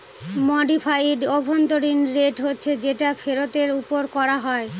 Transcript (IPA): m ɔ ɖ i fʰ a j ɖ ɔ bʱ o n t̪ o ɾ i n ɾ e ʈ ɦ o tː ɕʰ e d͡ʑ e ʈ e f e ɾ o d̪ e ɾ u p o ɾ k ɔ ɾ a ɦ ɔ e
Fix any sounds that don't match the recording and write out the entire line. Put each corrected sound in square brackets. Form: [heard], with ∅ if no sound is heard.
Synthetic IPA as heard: m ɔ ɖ i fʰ a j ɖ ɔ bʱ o n t̪ o ɾ i n ɾ e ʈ ɦ o tː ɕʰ e d͡ʑ e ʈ [a] f e ɾ o [t̪] e ɾ u p o ɾ k ɔ ɾ a ɦ ɔ e